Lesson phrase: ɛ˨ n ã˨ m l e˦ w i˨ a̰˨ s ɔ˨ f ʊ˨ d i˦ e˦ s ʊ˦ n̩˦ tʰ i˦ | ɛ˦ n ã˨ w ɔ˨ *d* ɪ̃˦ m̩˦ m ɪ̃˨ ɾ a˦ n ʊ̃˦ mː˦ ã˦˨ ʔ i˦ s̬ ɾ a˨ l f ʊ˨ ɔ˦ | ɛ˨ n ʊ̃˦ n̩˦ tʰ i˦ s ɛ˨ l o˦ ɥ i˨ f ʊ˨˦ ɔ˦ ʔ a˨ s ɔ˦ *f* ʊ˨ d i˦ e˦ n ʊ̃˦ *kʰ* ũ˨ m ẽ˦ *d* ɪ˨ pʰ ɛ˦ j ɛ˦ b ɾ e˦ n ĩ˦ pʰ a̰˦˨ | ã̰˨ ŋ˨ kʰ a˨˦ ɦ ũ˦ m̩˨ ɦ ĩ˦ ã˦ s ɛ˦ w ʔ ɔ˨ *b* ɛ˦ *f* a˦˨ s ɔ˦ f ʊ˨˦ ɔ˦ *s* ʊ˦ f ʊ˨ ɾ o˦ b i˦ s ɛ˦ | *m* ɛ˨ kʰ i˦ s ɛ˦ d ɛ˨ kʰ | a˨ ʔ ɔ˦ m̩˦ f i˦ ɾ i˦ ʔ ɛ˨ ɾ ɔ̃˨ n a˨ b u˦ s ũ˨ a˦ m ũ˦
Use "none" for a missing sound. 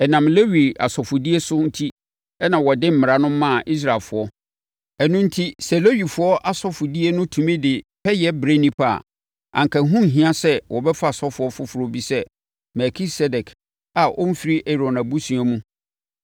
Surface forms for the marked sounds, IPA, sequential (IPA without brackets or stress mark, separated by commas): d, f, tʰ, d, b, f, f, m